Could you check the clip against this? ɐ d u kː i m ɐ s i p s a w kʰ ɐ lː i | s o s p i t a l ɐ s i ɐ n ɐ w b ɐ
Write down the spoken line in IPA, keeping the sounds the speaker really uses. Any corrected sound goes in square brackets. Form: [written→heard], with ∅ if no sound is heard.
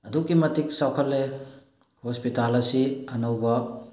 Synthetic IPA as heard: ɐ d u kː i m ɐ [s→t] i [p→k] s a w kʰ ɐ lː [i→e] | [s→h] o s p i t a l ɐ s i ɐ n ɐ w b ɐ